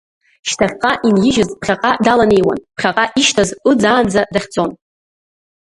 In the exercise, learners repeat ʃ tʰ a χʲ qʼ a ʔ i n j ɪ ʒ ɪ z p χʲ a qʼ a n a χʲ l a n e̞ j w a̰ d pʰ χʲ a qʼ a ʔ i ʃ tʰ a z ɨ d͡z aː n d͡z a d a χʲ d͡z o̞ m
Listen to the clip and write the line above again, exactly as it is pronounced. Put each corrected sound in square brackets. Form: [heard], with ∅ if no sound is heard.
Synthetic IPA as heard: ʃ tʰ a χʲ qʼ a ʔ i n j ɪ ʒ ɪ z p χʲ a qʼ a [d] a [∅] l a n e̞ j w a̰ [n] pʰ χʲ a qʼ a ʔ i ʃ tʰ a z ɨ d͡z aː n d͡z a d a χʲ d͡z o̞ [n]